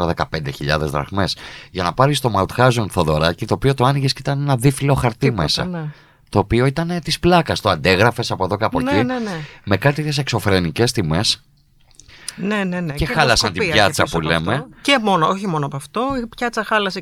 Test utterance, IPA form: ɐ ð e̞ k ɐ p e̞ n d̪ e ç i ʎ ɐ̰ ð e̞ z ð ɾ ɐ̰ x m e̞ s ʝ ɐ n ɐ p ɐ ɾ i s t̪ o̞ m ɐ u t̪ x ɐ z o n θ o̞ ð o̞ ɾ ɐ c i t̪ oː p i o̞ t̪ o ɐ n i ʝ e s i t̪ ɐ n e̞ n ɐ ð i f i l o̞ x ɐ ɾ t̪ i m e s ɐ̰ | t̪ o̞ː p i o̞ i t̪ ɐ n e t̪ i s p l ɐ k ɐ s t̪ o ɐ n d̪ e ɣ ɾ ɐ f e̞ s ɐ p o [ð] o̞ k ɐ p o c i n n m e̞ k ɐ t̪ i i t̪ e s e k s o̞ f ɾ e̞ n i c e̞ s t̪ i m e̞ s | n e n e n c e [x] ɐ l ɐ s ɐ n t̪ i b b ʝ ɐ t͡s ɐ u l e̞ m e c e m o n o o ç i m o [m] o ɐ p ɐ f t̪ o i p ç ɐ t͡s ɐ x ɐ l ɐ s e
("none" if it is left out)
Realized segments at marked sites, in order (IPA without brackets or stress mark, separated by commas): ð, x, n